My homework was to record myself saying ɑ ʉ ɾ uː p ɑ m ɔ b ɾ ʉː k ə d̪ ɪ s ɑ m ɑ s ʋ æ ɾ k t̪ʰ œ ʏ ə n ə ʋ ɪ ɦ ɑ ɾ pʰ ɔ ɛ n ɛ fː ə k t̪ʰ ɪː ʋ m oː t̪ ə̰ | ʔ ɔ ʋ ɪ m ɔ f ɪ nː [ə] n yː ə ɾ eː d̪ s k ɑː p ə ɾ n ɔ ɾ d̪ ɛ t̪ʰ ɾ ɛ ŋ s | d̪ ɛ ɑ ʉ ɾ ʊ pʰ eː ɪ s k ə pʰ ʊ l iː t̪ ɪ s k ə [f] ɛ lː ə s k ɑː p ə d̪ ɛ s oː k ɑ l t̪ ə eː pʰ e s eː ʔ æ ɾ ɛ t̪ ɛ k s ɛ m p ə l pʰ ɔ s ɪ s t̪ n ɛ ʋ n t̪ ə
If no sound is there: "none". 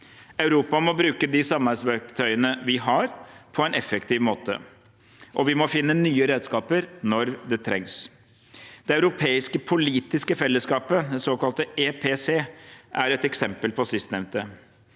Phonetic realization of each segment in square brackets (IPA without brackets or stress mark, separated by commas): ə, f